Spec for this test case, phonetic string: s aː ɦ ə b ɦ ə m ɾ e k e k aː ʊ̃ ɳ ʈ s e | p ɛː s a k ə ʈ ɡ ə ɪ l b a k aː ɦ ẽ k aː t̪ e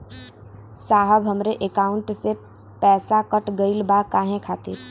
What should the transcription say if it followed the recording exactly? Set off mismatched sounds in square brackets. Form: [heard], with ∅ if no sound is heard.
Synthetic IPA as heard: s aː ɦ ə b ɦ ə m ɾ e [ʔ] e k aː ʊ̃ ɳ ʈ s e | p ɛː s a k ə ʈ ɡ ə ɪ l b a k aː ɦ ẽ [kʰ] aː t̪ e